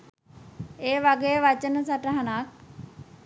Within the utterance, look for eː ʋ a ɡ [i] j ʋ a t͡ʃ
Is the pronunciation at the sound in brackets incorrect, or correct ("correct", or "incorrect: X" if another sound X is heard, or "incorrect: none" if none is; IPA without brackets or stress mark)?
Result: incorrect: e